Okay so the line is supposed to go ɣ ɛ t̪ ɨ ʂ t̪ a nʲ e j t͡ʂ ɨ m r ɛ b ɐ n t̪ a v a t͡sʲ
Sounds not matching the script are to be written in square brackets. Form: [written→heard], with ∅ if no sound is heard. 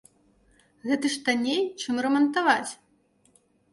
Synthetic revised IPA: ɣ ɛ t̪ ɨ ʂ t̪ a nʲ e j t͡ʂ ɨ m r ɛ [b→m] ɐ n t̪ a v a t͡sʲ